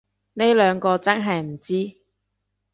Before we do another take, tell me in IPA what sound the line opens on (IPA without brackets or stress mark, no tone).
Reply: n